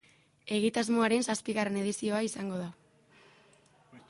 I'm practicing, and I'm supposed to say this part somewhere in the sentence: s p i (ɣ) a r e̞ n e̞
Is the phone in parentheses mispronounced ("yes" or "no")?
no